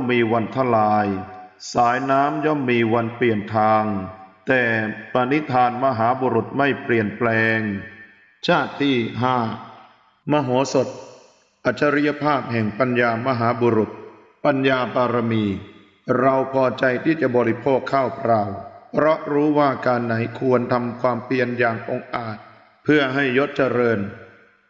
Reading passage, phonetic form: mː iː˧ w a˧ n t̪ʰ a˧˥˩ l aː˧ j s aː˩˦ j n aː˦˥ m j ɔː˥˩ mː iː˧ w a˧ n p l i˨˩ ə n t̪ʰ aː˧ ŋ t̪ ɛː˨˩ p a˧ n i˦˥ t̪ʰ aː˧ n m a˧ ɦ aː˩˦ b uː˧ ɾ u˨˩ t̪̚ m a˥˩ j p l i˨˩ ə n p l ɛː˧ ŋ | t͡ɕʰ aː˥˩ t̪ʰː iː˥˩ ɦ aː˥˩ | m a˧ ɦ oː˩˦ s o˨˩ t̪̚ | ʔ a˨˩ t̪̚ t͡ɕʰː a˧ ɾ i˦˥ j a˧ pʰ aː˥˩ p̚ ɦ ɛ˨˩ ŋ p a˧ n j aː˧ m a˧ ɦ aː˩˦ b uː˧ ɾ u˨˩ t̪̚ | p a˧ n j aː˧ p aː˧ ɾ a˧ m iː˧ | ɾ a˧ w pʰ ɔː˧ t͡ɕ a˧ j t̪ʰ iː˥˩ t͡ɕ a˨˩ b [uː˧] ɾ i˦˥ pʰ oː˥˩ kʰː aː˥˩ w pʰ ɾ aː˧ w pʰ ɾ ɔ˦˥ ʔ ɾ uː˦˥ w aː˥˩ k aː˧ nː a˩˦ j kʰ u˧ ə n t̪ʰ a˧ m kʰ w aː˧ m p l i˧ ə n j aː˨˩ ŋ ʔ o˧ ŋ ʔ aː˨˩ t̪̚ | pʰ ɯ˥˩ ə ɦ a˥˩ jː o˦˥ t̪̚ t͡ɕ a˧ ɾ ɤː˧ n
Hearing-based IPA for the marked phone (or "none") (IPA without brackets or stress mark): ɔː˧